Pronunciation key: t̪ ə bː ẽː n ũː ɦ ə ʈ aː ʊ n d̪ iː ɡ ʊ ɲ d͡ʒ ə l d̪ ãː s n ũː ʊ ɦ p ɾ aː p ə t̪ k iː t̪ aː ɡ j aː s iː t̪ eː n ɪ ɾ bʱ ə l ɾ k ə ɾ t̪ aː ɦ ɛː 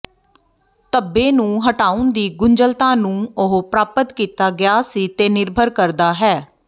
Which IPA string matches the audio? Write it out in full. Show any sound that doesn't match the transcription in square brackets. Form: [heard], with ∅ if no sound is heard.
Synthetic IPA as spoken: t̪ ə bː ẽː n ũː ɦ ə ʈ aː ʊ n d̪ iː ɡ ʊ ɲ d͡ʒ ə l [t̪] ãː [∅] n ũː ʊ ɦ p ɾ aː p ə t̪ k iː t̪ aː ɡ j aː s iː t̪ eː n ɪ ɾ bʱ ə [∅] ɾ k ə ɾ [d̪] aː ɦ ɛː